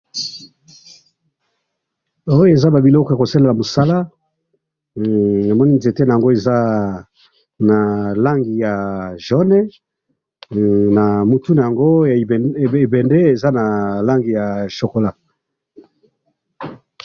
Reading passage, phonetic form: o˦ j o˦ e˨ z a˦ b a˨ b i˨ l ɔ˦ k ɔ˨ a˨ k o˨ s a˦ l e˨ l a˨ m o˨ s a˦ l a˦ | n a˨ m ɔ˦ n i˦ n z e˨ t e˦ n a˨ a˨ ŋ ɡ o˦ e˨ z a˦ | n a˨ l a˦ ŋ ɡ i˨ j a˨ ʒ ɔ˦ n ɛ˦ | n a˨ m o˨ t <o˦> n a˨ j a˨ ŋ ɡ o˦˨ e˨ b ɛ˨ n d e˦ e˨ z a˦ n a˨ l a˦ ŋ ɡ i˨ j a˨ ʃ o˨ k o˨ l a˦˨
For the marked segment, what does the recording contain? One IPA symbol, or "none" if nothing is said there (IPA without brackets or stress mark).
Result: u˦